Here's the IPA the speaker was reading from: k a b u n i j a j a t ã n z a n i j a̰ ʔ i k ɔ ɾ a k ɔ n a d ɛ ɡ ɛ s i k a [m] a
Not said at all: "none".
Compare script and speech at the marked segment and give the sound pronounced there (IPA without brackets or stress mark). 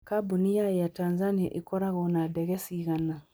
n